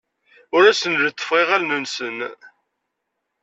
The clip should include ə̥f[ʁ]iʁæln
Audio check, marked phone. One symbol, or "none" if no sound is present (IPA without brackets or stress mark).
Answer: ʁ